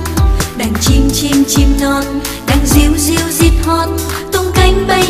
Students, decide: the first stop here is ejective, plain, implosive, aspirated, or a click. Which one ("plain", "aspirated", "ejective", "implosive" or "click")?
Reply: implosive